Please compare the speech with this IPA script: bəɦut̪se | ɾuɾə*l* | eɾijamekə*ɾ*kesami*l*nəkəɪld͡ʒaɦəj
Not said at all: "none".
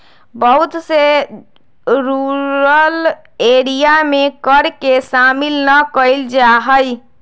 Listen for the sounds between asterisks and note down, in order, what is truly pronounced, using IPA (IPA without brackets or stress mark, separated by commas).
l, ɾ, l